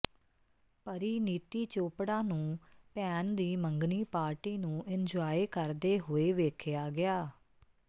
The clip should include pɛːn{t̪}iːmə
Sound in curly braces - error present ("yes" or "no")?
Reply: yes